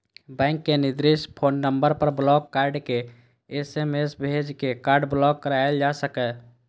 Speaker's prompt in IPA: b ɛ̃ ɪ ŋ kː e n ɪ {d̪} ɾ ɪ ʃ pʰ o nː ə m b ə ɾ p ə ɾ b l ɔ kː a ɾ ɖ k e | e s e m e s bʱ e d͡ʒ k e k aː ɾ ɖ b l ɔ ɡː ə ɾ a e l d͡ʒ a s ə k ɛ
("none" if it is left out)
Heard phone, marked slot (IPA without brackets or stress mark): d̪